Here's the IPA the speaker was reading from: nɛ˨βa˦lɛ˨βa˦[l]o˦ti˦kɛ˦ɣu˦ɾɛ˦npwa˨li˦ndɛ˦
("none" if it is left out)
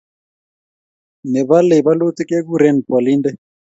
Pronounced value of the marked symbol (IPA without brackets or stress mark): l